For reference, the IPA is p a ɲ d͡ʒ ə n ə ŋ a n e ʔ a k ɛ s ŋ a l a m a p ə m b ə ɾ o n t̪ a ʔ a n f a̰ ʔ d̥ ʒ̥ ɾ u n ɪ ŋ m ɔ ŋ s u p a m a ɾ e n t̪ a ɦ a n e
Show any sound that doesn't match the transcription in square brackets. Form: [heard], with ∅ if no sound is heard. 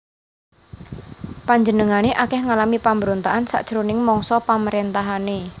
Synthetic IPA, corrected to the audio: p a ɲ d͡ʒ ə n ə ŋ a n e ʔ a k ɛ [h] ŋ a l a m [i] p [a] m b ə ɾ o n t̪ a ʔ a n [s] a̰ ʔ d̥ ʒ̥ ɾ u n ɪ ŋ m ɔ ŋ s [ɔ] p a m [ə] ɾ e n t̪ a ɦ a n e